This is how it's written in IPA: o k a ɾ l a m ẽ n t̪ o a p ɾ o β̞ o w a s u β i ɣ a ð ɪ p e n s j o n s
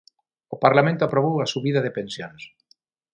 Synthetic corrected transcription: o p a ɾ l a m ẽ n t̪ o a p ɾ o β̞ o w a s u β i ð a ð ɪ p e n s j o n s